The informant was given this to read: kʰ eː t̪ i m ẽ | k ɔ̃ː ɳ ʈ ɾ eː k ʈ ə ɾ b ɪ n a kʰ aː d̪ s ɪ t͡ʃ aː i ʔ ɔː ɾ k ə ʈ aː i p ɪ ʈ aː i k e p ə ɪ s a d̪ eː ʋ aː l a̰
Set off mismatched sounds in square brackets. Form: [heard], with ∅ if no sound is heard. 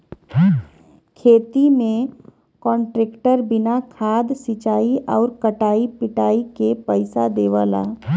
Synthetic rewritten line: kʰ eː t̪ i m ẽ | k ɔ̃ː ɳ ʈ ɾ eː k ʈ ə ɾ b ɪ n a kʰ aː d̪ s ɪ t͡ʃ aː i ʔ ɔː ɾ k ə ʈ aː i p ɪ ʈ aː i k e p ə ɪ s a d̪ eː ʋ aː l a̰